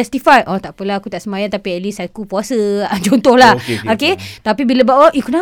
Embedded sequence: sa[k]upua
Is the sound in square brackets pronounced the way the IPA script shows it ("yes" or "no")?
yes